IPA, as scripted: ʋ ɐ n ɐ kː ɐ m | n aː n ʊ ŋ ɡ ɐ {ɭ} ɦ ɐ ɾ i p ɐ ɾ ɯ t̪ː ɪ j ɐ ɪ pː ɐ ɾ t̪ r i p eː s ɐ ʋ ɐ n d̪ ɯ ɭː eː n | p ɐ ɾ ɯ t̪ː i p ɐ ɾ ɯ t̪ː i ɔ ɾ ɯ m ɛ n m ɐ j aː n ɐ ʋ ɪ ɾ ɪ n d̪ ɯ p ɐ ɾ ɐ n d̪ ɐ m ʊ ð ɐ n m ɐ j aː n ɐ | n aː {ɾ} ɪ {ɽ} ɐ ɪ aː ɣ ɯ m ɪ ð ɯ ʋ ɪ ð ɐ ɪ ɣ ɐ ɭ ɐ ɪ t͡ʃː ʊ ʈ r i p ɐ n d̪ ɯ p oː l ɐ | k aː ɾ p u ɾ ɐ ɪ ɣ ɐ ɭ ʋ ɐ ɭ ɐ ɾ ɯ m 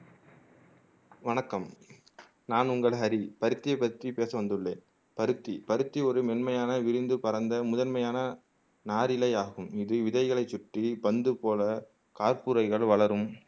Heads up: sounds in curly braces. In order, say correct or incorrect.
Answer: correct, correct, incorrect

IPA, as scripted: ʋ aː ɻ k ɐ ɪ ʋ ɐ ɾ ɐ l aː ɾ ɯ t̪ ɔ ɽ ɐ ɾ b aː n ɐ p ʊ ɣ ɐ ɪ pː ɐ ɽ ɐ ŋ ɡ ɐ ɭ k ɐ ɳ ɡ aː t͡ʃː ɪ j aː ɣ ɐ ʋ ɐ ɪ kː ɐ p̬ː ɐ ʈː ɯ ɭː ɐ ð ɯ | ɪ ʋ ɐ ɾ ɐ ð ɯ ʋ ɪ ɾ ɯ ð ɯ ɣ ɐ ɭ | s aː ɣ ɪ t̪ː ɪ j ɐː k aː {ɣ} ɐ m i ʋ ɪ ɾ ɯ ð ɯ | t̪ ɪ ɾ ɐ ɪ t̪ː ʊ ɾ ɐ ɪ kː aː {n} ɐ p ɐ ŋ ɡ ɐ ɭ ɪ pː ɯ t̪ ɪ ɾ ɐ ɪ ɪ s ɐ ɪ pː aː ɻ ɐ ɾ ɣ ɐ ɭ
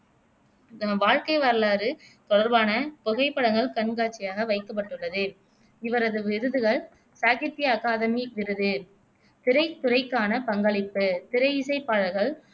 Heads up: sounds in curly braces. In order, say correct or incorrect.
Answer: incorrect, correct

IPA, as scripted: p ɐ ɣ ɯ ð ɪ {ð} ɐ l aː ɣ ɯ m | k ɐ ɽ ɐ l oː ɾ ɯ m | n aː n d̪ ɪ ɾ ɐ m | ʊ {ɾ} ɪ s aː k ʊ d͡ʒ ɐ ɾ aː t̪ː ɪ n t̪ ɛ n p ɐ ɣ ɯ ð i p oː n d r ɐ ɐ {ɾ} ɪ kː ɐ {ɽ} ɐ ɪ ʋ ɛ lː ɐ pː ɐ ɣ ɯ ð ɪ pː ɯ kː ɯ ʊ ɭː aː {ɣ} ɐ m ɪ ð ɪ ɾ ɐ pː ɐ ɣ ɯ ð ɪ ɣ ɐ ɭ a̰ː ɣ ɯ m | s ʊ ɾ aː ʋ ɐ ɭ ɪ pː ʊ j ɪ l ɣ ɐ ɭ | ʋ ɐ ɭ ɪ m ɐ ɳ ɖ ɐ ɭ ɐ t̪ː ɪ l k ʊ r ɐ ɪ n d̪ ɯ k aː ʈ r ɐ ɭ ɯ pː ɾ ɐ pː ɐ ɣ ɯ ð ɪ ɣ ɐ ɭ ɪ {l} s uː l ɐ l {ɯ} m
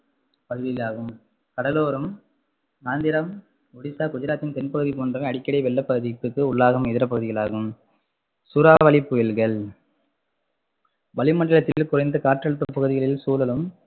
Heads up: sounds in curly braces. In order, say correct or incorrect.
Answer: incorrect, incorrect, incorrect, correct, correct, correct, correct

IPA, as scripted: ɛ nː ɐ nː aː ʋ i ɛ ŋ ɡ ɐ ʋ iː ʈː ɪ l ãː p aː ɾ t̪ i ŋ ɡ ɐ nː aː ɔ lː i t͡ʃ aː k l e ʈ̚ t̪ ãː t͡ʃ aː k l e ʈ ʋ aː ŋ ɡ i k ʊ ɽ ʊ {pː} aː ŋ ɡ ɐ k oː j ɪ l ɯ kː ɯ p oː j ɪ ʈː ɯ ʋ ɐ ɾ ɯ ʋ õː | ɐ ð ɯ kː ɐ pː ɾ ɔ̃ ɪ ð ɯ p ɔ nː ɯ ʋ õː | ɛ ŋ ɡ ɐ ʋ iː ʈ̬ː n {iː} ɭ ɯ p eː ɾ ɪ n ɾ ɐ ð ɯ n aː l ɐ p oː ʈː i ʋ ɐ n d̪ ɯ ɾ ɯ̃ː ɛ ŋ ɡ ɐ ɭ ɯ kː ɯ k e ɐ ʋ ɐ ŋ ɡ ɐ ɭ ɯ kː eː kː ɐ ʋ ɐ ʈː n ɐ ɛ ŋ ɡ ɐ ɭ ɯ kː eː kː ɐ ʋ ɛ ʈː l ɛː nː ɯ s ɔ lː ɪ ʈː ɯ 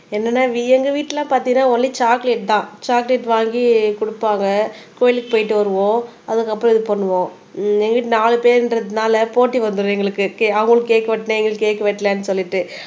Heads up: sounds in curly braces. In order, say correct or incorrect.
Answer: correct, incorrect

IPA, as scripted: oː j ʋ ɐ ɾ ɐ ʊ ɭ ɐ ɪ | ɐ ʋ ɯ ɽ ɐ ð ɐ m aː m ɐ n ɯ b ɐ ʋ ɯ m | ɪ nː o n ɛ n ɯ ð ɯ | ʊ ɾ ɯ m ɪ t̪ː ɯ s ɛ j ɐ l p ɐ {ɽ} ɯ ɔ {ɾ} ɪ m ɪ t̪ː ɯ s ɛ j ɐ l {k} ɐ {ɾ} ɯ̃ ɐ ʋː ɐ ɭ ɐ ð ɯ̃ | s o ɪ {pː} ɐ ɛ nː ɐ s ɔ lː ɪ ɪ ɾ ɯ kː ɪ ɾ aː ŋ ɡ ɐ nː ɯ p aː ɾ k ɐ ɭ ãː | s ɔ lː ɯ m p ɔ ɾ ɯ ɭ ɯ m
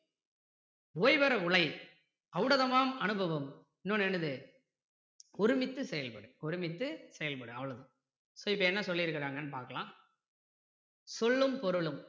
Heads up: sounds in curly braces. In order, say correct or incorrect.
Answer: correct, correct, incorrect, incorrect, correct

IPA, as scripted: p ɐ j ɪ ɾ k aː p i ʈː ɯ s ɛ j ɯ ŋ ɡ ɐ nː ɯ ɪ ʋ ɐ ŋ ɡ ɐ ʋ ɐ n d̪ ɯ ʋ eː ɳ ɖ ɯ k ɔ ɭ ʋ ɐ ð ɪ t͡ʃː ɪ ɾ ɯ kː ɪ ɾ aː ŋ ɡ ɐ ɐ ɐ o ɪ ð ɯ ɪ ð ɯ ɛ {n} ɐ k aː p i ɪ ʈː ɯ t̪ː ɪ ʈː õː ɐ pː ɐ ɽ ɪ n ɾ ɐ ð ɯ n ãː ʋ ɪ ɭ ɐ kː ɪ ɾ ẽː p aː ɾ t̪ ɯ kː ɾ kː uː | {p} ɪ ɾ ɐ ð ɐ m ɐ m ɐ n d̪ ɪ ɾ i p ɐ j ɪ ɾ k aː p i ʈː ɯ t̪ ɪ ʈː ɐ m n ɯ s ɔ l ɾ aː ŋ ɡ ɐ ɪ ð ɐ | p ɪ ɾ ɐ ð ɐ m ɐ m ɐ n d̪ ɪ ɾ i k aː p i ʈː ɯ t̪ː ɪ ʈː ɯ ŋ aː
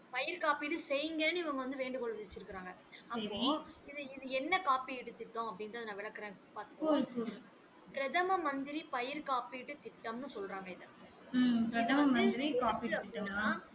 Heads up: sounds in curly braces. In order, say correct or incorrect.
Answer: incorrect, correct

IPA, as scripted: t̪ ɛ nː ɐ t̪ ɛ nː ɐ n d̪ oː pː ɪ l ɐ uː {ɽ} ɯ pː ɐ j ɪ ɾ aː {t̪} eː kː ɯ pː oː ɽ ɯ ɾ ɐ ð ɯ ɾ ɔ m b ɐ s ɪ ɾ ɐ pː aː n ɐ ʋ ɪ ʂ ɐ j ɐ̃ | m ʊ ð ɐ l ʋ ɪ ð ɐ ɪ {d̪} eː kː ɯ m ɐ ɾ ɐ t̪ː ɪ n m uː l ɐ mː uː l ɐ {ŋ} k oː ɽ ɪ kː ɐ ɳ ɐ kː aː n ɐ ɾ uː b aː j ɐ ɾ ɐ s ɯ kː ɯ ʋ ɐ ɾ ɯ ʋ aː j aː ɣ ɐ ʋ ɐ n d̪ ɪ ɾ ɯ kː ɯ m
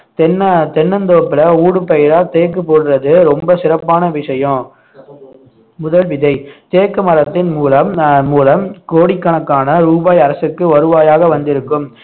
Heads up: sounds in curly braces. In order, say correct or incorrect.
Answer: correct, correct, incorrect, incorrect

